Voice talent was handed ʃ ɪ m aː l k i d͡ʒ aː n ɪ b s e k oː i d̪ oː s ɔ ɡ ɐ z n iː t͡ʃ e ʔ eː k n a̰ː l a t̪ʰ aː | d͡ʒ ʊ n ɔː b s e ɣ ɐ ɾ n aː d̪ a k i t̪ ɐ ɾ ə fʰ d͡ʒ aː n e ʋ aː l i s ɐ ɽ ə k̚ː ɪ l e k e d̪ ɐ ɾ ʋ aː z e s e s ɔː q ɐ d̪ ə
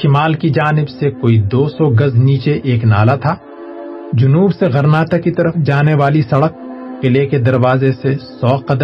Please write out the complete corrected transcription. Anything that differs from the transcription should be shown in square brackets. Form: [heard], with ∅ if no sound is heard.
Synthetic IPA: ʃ ɪ m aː l k i d͡ʒ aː n ɪ b s e k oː i d̪ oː s ɔ ɡ ɐ z n iː t͡ʃ e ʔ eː k n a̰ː l a t̪ʰ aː | d͡ʒ ʊ n [uː] b s e ɣ ɐ ɾ n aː [t̪] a k i t̪ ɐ ɾ ə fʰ d͡ʒ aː n e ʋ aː l i s ɐ ɽ ə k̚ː ɪ l e k e d̪ ɐ ɾ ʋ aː z e s e s ɔː q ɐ d̪ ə